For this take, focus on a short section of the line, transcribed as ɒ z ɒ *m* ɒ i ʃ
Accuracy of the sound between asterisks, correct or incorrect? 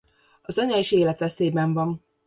incorrect